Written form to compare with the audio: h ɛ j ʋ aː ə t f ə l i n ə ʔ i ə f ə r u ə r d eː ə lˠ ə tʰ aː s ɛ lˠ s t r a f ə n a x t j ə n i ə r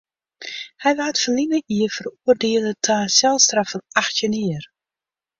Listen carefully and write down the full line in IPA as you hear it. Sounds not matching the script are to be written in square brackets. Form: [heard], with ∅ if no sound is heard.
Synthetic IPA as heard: h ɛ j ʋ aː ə t f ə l i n ə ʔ i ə f ə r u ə r d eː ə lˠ ə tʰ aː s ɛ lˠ s t r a f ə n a x t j ə n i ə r